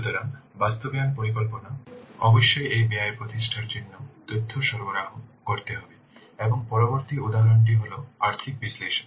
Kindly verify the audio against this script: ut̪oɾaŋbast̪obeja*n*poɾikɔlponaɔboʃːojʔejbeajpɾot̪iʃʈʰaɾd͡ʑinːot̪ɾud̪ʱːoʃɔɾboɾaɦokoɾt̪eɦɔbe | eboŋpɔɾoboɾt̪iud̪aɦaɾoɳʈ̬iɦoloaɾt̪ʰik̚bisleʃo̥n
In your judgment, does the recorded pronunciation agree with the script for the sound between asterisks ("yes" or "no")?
yes